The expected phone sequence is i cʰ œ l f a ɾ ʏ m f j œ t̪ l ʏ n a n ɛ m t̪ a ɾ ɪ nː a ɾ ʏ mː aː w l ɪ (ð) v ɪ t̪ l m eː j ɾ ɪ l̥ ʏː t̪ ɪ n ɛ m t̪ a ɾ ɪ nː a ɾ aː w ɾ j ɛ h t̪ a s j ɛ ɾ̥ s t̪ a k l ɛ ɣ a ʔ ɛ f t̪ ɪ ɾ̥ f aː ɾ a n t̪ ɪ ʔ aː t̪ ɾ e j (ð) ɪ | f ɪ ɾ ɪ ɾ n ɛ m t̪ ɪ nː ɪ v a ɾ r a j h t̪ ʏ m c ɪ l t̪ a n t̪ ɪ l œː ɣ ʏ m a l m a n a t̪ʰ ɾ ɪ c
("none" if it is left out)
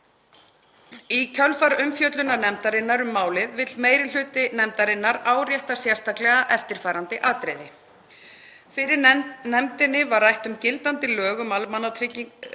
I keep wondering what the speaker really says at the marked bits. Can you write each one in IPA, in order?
ð, ð

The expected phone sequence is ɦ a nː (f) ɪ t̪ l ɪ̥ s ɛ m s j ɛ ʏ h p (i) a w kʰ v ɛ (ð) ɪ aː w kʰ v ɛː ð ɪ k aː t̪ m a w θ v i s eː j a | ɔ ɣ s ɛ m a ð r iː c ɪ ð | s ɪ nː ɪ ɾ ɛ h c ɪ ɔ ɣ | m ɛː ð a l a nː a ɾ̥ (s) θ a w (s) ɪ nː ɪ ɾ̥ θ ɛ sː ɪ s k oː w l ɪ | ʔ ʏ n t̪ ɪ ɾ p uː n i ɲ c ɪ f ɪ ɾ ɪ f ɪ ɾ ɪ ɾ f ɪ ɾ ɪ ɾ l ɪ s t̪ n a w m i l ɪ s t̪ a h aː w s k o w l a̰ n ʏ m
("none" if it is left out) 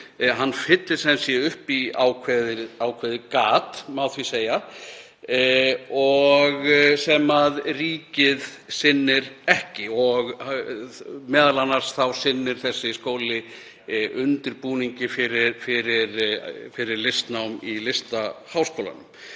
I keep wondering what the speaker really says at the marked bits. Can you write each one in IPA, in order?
f, i, ð, s, s

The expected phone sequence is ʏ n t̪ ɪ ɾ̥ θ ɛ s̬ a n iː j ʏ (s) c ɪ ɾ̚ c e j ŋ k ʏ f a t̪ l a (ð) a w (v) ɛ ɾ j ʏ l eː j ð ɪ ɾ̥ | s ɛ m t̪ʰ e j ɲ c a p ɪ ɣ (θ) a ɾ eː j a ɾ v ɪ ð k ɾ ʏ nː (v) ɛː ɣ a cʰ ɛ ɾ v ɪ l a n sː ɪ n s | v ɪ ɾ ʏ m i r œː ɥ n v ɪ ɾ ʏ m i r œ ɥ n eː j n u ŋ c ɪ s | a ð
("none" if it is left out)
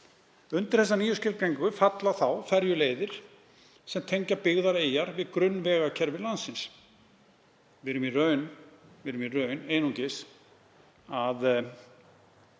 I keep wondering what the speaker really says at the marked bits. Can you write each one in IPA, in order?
s, θ, f, ð, v

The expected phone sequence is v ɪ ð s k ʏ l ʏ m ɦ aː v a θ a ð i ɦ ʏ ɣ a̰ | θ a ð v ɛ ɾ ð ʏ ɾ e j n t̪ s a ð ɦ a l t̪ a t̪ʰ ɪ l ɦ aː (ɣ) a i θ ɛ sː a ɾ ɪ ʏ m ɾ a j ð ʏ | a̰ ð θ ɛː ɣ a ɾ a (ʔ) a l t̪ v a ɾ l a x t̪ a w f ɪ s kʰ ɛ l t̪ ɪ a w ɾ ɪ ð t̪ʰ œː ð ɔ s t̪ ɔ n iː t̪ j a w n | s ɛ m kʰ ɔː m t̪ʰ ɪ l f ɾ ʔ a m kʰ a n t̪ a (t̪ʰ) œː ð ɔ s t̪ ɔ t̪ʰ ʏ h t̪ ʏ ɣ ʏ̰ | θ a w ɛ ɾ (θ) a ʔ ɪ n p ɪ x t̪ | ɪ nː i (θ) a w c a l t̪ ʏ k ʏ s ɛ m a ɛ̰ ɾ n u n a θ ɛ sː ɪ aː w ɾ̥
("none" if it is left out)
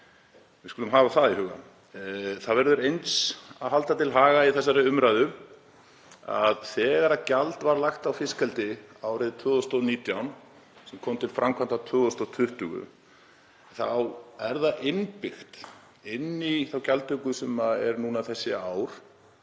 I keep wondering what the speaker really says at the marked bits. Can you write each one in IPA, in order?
ɣ, c, t̪ʰ, ð, θ

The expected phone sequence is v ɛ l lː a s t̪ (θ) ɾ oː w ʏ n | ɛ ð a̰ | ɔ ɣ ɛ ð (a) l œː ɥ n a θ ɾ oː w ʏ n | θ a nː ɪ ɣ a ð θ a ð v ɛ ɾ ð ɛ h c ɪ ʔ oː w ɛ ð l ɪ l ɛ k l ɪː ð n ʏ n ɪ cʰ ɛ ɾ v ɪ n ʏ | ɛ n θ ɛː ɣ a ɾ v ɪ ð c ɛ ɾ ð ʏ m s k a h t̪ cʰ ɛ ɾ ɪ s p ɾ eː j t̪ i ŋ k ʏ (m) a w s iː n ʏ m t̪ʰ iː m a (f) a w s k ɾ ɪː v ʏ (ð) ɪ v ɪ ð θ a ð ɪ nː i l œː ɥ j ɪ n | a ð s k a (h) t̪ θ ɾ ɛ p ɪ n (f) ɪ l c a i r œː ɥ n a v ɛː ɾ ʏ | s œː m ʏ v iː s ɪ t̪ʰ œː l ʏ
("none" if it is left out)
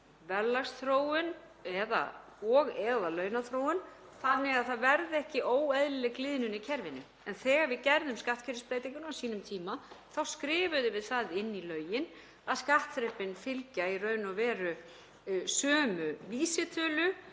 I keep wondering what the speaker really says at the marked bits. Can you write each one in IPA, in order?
θ, a, n, θ, ð, h, f

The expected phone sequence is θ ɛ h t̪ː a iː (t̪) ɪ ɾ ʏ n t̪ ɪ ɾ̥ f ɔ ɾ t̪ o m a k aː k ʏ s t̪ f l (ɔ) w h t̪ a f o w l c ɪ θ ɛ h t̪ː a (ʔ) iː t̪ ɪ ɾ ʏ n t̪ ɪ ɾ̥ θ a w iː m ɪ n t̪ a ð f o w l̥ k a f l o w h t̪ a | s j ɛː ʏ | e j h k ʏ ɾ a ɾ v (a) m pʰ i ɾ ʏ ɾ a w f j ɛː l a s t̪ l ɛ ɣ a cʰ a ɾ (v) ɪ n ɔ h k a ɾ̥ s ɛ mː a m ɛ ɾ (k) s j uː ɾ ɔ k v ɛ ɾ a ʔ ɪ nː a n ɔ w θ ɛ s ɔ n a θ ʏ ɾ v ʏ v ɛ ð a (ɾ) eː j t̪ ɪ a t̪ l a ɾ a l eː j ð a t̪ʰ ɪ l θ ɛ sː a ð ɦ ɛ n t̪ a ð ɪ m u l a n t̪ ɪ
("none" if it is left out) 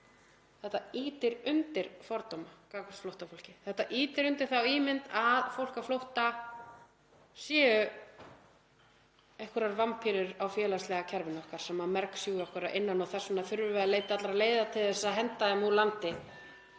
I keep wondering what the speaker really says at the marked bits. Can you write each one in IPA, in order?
t̪, o, ʔ, a, v, k, l

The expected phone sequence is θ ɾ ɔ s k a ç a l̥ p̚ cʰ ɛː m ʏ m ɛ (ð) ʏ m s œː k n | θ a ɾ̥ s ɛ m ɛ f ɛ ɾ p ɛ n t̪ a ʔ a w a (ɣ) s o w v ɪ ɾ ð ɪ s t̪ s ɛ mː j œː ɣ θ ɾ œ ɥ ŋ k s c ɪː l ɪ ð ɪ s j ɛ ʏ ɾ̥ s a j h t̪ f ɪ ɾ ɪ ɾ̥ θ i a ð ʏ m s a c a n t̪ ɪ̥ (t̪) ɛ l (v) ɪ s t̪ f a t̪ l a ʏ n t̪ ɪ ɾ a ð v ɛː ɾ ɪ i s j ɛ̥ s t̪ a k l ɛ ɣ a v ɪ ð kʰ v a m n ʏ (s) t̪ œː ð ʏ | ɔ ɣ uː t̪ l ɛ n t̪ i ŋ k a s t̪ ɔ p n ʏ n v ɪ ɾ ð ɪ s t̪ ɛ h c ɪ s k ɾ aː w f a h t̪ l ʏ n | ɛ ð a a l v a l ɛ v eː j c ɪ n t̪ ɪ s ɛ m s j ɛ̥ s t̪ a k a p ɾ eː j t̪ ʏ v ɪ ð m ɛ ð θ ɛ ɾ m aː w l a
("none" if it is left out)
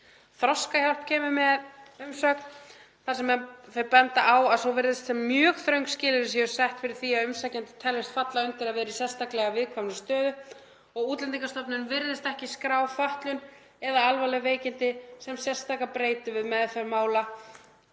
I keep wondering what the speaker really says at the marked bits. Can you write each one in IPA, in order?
ð, ð, t̪ʰ, v, s

